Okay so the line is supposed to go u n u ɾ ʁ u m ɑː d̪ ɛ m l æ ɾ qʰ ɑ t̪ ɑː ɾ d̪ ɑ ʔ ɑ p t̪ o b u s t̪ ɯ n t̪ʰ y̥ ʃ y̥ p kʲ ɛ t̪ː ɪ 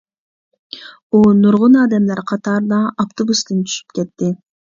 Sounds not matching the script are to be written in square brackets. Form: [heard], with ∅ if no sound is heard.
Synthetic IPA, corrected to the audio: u n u ɾ ʁ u [n] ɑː d̪ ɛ m l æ ɾ qʰ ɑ t̪ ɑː ɾ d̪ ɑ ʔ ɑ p t̪ o b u s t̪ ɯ n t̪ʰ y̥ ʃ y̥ p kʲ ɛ t̪ː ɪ